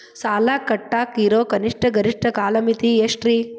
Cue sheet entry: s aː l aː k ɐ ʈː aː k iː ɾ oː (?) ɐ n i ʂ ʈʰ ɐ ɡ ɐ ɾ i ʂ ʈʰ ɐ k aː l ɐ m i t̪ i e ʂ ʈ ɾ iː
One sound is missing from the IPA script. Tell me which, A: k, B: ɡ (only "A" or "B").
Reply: A